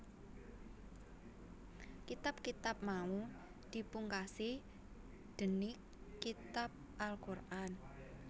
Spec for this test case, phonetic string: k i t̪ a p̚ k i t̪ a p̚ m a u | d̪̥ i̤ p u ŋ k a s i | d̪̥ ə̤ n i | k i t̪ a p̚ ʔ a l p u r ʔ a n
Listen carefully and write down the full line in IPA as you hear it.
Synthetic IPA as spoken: k i t̪ a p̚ k i t̪ a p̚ m a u | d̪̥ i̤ p u ŋ k a s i | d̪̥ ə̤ n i | k i t̪ a p̚ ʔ a l k u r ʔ a n